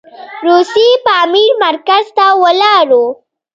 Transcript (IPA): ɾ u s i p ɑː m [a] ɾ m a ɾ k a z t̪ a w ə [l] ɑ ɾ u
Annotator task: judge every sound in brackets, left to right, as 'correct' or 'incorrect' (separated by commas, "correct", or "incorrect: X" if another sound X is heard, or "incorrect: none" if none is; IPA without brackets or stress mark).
incorrect: i, correct